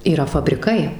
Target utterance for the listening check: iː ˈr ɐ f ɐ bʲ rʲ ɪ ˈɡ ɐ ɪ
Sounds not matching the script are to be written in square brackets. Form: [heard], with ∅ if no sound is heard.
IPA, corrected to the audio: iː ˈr ɐ f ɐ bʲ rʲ ɪ [ˈk] ɐ ɪ